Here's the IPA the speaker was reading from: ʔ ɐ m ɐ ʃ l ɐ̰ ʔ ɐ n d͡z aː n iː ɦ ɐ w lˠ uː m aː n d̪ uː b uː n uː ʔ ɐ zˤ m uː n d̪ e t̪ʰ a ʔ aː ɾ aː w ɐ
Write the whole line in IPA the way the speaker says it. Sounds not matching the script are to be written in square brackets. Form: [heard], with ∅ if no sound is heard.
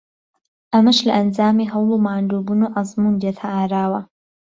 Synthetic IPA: ʔ ɐ m ɐ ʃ l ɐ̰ ʔ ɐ n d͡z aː [m] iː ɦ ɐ w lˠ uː m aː n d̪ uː b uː n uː ʔ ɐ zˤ m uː n d̪ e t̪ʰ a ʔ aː ɾ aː w ɐ